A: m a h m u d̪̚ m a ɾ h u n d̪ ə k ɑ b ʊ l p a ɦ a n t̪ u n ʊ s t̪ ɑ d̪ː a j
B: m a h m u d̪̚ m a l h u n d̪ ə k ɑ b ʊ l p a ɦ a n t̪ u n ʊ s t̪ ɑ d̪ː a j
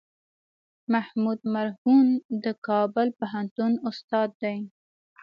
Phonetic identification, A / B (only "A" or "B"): A